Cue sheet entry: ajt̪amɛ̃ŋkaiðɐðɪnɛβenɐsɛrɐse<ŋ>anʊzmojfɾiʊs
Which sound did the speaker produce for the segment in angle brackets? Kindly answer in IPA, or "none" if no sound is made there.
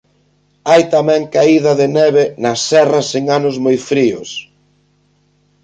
ŋ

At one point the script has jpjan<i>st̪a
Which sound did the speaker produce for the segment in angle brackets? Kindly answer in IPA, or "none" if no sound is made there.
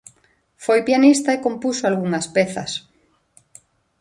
i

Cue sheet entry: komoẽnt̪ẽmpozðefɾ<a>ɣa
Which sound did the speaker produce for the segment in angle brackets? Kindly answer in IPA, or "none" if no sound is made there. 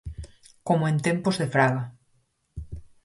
a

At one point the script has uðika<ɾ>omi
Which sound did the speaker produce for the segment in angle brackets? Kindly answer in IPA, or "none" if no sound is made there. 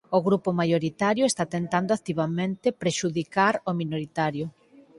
ɾ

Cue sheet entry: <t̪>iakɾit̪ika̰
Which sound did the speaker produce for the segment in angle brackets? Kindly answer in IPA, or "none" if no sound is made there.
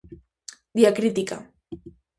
d̪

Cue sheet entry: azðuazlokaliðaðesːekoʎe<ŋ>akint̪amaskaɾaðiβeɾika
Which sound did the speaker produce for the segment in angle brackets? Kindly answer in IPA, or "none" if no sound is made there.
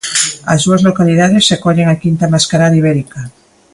ŋ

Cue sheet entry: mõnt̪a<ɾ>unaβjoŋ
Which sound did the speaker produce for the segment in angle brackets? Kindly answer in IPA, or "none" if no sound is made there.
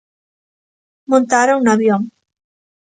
ɾ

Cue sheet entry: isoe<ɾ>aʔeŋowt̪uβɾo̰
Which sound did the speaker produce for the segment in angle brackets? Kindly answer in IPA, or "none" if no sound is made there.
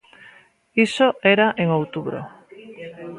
ɾ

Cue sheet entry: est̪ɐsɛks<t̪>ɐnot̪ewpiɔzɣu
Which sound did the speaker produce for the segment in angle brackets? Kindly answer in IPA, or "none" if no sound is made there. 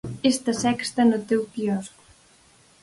t̪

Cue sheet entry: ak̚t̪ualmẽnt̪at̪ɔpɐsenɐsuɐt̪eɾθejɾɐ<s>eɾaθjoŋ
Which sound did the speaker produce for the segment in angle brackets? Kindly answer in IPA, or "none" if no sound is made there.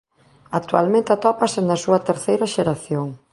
ʃ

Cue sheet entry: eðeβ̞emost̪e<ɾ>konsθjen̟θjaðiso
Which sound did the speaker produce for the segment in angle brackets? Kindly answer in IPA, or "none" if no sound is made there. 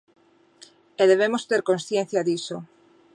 ɾ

